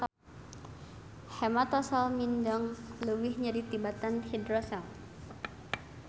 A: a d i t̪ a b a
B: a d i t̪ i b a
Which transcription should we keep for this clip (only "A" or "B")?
B